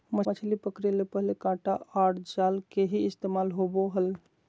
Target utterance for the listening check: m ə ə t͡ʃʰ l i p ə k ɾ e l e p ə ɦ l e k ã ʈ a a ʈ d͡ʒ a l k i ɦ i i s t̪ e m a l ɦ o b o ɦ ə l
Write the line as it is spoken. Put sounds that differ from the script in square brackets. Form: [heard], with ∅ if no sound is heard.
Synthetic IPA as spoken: m ə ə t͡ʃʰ l i p ə k ɾ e l e p ə ɦ l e k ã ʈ a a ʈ d͡ʒ a l k [e] ɦ i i s t̪ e m a l ɦ o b o ɦ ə l

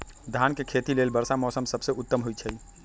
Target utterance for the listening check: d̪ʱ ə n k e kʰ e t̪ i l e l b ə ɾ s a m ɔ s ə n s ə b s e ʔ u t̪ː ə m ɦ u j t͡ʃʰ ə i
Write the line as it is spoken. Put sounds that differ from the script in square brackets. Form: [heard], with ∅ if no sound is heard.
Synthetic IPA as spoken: d̪ʱ [a] n k e kʰ e t̪ i l e l b ə ɾ s a m ɔ s ə [m] s ə b s e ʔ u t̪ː ə m ɦ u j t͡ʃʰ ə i

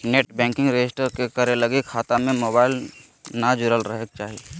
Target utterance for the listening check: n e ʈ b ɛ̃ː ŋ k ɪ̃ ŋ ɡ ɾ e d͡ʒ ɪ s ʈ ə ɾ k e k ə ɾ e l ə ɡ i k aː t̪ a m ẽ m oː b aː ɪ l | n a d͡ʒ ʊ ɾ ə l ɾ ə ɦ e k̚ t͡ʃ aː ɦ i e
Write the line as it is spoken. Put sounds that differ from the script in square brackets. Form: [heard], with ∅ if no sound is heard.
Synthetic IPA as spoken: n e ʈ b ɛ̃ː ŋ k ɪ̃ ŋ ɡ ɾ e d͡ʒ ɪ s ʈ ə ɾ k e k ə ɾ e l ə ɡ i [kʰ] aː t̪ a m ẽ m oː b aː ɪ l | n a d͡ʒ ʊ ɾ ə l ɾ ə ɦ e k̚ t͡ʃ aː ɦ i e

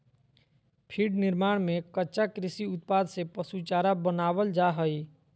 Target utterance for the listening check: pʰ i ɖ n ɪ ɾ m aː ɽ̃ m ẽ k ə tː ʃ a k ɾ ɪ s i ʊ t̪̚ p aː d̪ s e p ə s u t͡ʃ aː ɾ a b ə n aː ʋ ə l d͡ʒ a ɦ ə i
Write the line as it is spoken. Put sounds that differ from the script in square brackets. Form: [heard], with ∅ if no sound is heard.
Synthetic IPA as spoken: pʰ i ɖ n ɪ ɾ m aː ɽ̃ m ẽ k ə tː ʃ a k ɾ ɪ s i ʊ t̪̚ p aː d̪ s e p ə s u t͡ʃ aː ɾ a b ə n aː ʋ ə l d͡ʒ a ɦ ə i

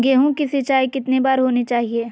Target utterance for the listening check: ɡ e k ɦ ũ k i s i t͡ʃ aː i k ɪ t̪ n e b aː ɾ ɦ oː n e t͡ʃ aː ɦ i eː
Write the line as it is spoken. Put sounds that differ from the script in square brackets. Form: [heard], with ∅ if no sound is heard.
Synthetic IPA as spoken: ɡ e [∅] ɦ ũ k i s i t͡ʃ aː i k ɪ t̪ n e b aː ɾ ɦ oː n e t͡ʃ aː ɦ i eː

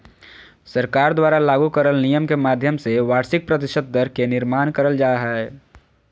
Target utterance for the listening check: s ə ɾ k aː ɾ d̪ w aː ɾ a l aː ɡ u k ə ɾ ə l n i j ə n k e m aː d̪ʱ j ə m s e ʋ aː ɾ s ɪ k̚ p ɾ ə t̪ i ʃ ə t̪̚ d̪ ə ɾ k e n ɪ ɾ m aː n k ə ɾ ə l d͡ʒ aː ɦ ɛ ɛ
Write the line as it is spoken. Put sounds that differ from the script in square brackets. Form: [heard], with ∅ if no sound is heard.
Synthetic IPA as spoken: s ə ɾ k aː ɾ d̪ w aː ɾ a l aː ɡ u k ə ɾ ə l n i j ə [m] k e m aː d̪ʱ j ə m s e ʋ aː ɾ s ɪ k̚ p ɾ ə t̪ [ɪ] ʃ ə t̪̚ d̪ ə ɾ k e n ɪ ɾ m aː n k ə ɾ ə l d͡ʒ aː ɦ ɛ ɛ

